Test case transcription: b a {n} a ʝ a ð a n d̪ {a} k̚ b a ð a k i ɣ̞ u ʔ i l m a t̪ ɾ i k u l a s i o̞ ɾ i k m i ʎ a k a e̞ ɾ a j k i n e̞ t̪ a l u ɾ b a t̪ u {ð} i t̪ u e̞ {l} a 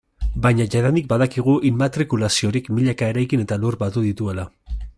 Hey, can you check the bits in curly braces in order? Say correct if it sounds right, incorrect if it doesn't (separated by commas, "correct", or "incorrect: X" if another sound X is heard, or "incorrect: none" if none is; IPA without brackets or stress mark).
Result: incorrect: ɲ, incorrect: i, correct, correct